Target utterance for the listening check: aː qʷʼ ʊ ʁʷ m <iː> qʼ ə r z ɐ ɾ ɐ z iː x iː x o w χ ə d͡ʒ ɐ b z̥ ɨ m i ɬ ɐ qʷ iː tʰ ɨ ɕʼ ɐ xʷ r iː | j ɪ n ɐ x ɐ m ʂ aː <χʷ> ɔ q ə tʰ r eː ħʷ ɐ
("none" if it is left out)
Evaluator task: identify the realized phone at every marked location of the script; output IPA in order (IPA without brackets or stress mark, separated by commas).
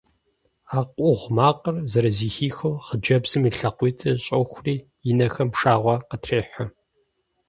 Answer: aː, ʁʷ